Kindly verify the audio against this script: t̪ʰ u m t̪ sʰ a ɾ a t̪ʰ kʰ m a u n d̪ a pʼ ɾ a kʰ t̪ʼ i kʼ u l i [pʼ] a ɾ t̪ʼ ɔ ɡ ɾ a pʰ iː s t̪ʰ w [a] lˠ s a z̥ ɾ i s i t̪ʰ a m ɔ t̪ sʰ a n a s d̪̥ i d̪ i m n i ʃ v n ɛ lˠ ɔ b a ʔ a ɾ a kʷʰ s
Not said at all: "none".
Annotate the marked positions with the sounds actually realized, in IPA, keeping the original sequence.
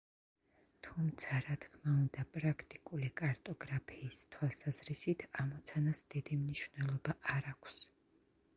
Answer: kʼ, a

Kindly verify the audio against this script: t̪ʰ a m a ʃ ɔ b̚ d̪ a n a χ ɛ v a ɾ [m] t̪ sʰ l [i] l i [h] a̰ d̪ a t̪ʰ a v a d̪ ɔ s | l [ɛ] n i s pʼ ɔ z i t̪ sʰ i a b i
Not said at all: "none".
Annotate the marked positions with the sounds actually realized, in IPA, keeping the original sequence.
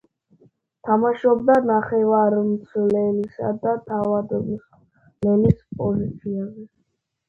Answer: m, ɛ, s, ɛ

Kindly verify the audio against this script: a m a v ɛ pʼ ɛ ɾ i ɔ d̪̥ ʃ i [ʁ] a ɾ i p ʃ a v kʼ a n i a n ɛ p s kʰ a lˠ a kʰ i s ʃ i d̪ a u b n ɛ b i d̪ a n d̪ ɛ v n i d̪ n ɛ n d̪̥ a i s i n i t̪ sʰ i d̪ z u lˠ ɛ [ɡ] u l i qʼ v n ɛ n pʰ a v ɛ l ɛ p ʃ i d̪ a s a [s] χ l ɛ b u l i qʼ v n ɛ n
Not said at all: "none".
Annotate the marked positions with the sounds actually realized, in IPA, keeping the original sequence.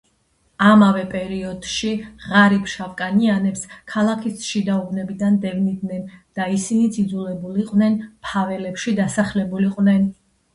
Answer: ʁ, b, none

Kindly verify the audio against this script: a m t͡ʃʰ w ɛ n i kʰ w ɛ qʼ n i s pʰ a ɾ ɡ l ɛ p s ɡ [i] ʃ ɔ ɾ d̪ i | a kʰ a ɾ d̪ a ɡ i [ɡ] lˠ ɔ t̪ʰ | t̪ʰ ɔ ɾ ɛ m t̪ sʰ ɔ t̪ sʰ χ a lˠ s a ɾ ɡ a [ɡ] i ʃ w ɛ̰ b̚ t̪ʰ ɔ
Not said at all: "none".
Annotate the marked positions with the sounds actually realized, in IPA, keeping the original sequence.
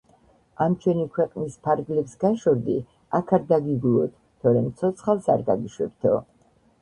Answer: a, ɡ, ɡ

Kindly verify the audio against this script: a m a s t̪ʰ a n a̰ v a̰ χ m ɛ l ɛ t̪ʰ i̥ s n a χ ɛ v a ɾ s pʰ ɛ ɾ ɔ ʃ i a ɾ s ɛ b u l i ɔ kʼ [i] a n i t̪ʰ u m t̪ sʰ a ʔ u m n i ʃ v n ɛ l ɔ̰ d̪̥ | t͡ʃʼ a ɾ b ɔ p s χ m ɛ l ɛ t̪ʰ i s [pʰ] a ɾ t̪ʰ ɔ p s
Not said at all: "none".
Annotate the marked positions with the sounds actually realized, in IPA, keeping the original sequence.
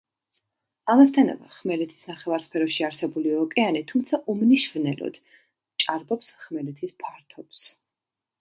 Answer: ɛ, pʰ

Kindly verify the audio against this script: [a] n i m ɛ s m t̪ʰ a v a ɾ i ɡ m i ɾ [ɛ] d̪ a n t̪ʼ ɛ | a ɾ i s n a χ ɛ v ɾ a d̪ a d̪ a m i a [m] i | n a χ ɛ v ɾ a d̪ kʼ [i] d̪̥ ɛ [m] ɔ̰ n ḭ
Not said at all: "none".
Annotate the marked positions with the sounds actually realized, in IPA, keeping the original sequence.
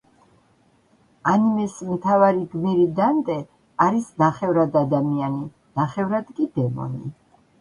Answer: a, i, n, i, m

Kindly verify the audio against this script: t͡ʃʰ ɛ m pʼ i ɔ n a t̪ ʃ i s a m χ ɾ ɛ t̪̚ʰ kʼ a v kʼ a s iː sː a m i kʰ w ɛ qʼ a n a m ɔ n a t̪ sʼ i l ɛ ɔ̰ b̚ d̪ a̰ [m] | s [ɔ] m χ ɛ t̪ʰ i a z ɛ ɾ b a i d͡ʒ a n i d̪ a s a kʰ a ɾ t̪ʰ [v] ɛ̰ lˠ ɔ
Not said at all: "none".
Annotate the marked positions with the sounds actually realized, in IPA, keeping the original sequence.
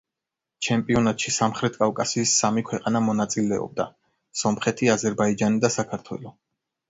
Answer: none, ɔ, w

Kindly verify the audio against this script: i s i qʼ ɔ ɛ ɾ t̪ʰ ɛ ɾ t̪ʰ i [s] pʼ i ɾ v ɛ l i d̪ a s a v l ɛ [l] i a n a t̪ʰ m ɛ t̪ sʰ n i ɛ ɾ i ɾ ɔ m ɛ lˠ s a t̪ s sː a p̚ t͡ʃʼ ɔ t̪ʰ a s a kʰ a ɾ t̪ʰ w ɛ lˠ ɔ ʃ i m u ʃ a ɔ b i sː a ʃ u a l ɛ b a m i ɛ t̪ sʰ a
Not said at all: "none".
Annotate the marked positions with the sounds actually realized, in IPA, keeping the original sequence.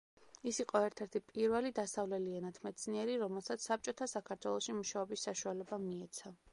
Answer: none, l

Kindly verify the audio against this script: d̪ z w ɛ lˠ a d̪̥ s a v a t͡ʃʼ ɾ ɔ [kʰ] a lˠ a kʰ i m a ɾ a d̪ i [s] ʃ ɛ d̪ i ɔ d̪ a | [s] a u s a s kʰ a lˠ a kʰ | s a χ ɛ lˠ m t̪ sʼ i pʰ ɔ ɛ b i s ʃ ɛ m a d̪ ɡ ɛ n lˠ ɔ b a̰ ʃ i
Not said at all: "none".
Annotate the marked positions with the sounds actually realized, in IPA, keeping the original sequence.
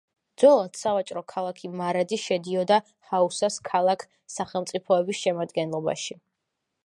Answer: kʰ, none, h

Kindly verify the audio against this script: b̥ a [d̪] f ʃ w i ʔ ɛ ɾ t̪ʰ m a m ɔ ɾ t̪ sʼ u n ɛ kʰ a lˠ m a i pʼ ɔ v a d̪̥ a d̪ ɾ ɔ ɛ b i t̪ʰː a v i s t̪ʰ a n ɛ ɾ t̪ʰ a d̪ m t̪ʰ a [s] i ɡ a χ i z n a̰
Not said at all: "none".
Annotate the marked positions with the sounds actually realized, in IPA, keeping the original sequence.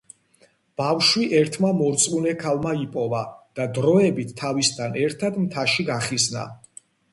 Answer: none, ʃ

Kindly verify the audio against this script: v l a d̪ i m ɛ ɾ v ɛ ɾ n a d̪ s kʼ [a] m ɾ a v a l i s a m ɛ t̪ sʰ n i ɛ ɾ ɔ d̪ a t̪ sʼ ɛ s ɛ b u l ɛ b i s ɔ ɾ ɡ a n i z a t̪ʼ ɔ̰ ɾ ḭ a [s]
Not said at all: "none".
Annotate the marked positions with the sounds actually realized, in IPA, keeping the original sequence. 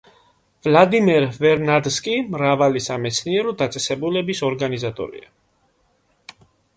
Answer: i, none

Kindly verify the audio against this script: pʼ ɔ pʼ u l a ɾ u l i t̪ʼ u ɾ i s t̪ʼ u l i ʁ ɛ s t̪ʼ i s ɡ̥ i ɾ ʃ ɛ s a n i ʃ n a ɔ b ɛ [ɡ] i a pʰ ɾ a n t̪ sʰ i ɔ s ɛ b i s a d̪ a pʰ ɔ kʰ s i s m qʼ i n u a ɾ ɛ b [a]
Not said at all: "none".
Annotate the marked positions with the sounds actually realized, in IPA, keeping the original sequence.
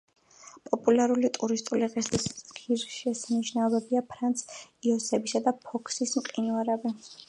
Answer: b, i

